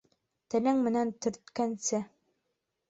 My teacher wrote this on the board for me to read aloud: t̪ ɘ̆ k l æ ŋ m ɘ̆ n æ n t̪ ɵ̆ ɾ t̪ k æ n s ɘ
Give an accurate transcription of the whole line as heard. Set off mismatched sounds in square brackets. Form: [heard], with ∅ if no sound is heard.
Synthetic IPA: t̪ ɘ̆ [∅] l æ ŋ m ɘ̆ n æ n t̪ ɵ̆ ɾ t̪ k æ n s ɘ